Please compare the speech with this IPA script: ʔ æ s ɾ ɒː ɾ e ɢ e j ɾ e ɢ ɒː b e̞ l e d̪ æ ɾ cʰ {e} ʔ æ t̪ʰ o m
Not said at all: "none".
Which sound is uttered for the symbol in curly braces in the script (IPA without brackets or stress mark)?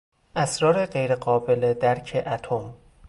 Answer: e